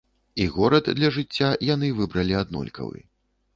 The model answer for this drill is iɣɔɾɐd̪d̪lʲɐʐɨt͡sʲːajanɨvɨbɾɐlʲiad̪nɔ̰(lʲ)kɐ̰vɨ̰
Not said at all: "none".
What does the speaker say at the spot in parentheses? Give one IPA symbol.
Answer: lʲ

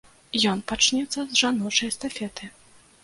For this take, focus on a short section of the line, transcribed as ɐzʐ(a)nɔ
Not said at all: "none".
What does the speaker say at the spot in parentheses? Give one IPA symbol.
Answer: a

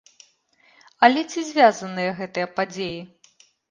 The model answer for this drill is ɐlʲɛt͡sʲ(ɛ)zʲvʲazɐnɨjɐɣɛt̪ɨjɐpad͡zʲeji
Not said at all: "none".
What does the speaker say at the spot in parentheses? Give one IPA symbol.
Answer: i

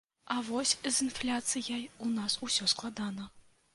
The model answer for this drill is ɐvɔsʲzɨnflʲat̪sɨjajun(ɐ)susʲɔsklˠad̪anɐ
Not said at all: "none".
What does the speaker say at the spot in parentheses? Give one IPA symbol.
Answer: a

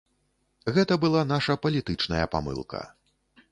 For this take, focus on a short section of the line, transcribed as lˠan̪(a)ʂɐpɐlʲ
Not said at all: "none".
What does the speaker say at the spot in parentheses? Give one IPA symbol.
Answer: a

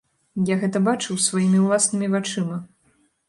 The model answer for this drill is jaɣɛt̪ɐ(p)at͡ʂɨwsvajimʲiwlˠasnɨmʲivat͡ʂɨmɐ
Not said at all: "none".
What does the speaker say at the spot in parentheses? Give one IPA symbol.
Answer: b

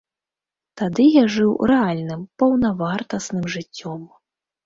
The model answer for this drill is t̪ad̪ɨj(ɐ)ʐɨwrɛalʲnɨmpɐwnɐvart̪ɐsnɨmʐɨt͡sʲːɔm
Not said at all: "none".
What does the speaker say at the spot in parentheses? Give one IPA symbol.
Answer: a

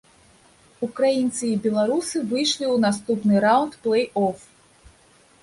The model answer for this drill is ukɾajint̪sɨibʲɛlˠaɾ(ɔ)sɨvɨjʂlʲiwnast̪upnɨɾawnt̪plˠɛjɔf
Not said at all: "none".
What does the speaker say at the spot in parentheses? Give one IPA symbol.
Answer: u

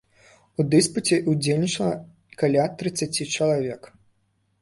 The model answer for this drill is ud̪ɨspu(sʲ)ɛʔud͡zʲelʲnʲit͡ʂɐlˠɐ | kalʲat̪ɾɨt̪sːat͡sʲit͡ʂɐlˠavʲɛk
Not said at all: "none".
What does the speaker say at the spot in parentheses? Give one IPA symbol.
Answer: t͡sʲ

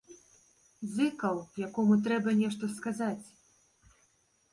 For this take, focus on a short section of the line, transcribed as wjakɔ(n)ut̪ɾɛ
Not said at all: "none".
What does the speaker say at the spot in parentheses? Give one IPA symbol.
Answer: m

